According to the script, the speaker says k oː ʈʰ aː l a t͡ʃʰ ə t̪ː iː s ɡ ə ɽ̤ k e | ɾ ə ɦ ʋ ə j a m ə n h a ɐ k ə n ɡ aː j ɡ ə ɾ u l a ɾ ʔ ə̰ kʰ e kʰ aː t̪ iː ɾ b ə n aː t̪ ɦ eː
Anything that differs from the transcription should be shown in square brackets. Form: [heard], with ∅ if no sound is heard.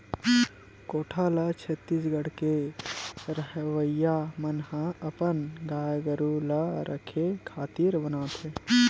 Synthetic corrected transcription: k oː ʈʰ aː l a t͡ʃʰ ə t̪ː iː s ɡ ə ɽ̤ k e | ɾ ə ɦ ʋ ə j a m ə n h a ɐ [p] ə n ɡ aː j ɡ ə ɾ u l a ɾ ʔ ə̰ kʰ e kʰ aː t̪ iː ɾ b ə n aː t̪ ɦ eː